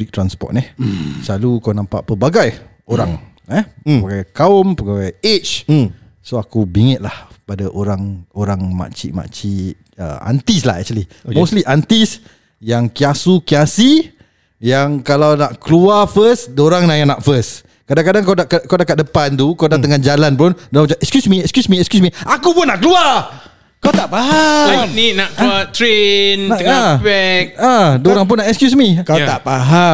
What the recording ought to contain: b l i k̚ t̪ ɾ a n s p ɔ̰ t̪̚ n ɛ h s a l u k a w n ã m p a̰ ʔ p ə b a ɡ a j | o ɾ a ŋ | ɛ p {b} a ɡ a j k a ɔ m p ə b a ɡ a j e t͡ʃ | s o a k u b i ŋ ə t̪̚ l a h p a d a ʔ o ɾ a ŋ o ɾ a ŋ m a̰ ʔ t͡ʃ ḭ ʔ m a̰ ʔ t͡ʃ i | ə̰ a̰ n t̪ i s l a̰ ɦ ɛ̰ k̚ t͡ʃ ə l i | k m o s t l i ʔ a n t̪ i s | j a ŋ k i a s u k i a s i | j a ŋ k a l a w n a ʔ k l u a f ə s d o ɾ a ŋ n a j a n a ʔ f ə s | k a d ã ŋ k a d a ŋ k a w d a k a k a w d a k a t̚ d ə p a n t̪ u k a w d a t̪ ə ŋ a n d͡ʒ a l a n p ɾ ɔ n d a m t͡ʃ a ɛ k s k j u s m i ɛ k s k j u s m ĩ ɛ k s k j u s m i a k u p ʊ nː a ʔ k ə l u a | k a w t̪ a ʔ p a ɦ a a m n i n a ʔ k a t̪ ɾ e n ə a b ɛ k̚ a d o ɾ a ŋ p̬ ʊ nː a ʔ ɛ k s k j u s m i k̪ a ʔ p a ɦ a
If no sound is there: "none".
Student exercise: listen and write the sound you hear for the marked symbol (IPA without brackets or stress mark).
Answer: b